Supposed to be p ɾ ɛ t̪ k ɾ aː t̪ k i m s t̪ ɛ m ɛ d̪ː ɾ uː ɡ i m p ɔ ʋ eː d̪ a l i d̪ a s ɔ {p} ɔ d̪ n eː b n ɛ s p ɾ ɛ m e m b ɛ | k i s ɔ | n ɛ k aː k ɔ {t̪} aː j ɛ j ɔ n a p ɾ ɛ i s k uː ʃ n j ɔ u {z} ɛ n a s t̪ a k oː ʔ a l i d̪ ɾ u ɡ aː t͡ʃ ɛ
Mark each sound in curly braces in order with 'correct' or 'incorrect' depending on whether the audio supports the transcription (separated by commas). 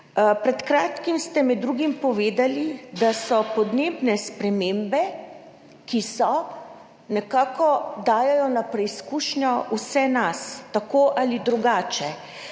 correct, incorrect, incorrect